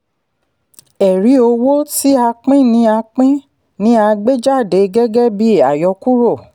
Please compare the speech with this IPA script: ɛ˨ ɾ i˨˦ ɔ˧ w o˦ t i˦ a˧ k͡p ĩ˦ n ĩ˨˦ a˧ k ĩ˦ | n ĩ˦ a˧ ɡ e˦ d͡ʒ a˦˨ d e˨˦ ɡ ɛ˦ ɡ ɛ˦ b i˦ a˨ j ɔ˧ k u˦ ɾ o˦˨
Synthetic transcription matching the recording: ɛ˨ ɾ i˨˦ o˧ w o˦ t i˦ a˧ k͡p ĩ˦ n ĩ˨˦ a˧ k͡p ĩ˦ | n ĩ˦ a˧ ɡ͡b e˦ d͡ʒ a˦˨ d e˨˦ ɡ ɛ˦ ɡ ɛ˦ b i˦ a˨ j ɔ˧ k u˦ ɾ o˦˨